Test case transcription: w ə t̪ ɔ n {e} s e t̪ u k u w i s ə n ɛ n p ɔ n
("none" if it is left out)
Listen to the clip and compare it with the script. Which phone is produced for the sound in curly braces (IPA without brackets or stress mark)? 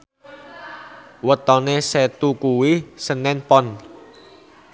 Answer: e